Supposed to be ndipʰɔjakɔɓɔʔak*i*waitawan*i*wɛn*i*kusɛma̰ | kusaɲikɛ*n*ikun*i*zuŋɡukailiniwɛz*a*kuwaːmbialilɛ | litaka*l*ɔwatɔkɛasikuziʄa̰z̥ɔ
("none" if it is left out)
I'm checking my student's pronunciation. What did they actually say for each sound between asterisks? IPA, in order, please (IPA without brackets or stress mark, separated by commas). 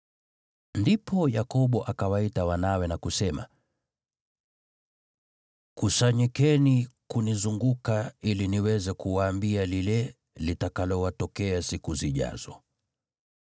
a, a, a, n, i, ɛ, l